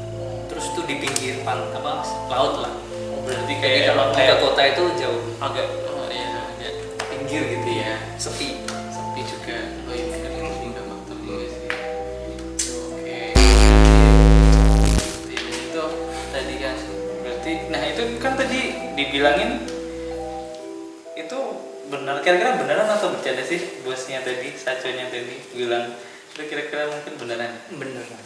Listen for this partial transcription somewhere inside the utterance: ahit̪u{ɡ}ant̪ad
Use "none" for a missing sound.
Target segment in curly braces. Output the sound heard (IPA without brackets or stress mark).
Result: k